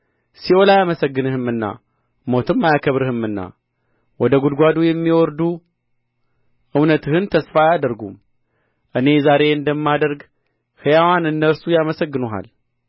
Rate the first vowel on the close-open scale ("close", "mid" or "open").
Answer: close